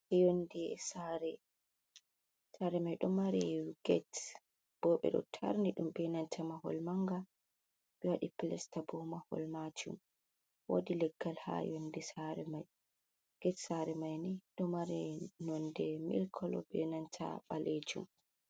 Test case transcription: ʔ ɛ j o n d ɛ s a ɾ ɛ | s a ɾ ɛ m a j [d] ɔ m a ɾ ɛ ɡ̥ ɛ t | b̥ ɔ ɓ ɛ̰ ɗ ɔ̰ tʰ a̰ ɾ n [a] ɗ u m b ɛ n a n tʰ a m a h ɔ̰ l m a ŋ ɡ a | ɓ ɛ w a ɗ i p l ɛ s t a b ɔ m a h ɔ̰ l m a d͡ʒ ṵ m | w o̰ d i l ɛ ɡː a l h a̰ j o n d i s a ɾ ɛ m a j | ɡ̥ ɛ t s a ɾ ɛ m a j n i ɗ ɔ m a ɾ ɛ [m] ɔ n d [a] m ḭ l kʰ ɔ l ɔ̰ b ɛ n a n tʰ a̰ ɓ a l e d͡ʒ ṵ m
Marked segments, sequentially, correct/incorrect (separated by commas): incorrect, incorrect, incorrect, incorrect